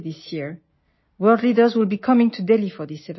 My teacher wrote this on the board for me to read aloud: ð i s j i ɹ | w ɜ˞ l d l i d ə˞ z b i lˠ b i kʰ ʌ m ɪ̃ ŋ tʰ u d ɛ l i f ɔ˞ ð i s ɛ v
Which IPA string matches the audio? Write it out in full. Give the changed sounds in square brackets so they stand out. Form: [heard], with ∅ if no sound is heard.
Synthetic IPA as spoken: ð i s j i ɹ | w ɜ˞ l d l i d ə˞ z [w] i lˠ b i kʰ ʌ m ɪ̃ ŋ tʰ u d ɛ l i f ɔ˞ ð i s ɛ v